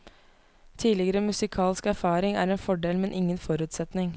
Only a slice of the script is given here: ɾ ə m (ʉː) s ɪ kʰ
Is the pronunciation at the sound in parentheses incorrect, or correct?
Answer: incorrect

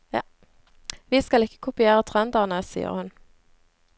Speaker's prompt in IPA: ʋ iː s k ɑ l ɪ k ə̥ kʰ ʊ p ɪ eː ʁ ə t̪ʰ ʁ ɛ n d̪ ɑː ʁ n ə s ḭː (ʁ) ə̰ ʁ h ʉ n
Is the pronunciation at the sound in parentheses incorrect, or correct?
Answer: incorrect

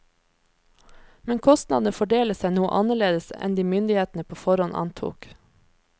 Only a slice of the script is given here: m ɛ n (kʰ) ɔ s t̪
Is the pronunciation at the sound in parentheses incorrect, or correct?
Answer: correct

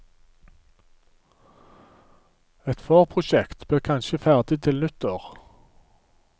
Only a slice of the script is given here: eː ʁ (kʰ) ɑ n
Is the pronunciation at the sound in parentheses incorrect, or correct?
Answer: correct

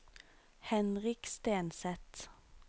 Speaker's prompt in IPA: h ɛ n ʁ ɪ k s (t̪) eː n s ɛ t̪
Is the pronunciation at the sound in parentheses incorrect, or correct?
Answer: correct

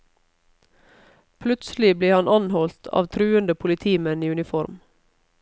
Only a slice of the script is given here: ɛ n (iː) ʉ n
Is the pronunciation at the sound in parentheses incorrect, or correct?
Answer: correct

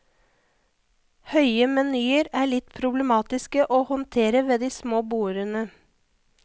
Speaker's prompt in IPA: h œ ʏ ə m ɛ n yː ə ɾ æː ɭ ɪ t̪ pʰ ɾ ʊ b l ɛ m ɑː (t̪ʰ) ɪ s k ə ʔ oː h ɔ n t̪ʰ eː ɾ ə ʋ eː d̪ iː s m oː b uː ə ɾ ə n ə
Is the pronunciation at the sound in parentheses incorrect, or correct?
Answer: incorrect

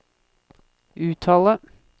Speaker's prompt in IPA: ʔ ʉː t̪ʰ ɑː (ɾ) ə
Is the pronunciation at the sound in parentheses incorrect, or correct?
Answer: incorrect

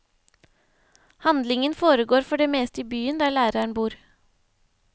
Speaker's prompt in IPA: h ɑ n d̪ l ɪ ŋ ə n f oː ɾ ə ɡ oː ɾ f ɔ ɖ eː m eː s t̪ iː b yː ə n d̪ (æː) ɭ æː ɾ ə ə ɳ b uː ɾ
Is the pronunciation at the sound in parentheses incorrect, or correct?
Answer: correct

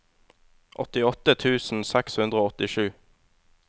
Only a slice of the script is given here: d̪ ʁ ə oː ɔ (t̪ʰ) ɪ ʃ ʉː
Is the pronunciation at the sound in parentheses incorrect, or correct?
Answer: incorrect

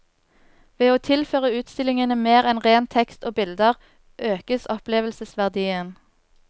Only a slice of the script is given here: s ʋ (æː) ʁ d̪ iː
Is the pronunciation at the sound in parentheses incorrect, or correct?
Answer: incorrect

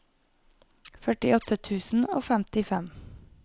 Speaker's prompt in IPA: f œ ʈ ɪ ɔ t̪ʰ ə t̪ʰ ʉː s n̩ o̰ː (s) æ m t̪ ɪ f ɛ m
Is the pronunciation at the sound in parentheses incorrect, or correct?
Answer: incorrect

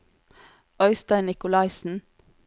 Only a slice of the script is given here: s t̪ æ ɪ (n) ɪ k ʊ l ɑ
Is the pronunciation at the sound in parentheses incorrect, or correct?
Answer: correct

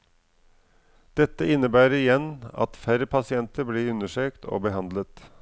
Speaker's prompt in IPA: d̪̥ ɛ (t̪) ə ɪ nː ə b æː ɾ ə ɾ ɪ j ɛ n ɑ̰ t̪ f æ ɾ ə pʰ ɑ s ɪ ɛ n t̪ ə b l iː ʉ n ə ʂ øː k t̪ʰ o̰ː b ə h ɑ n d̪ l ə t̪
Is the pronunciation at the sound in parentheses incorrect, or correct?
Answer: correct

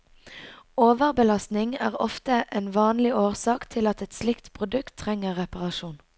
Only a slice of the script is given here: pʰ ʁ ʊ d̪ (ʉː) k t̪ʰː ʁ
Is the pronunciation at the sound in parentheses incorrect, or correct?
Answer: incorrect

